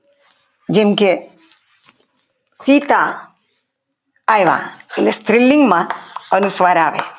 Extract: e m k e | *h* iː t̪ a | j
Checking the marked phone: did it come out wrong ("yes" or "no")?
yes